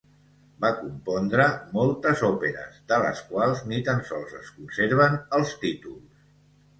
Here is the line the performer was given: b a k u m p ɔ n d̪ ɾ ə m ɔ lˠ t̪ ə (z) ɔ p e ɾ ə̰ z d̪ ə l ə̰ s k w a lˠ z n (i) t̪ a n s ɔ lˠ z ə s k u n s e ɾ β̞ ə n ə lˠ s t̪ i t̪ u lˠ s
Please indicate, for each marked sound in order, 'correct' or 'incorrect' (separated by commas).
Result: correct, correct